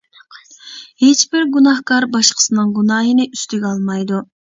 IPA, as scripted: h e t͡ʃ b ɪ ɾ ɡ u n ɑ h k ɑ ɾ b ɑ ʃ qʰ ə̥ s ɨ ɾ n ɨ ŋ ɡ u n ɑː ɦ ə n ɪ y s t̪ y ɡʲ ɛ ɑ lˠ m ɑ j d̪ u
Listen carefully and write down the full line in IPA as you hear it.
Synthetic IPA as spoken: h e t͡ʃ b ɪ ɾ ɡ u n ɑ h k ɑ ɾ b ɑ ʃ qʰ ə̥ s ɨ n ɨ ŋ ɡ u n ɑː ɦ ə n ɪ y s t̪ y ɡʲ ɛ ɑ lˠ m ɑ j d̪ u